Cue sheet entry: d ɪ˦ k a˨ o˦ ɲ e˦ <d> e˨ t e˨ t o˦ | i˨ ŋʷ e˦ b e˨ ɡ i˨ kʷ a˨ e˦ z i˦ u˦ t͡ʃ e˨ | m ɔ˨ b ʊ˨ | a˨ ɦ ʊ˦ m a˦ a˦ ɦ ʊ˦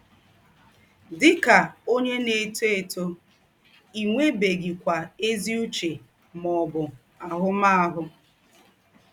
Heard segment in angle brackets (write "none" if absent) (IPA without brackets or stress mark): n